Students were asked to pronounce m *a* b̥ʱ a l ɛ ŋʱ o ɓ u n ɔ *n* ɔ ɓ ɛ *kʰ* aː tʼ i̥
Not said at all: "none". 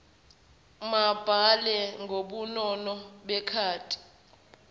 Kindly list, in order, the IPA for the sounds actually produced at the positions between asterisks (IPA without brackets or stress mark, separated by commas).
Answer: a, n, kʰ